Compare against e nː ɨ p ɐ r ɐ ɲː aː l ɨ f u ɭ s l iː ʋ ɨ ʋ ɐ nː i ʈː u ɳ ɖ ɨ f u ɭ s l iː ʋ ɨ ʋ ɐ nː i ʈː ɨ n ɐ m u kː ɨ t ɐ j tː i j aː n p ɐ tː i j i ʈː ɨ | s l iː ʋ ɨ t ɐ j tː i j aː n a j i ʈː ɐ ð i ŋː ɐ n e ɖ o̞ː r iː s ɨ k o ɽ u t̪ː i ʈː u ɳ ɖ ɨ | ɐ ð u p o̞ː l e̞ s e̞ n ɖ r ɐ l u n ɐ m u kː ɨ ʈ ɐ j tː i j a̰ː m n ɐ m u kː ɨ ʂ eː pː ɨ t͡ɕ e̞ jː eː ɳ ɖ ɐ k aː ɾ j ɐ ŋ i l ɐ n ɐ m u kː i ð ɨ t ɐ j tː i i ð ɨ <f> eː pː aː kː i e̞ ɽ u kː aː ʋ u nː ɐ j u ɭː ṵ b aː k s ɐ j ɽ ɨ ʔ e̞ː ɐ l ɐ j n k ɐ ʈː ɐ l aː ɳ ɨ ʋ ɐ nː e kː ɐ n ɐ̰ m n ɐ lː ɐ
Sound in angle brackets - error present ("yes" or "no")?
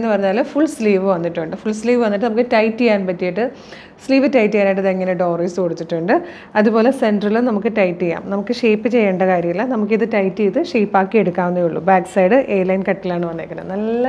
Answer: yes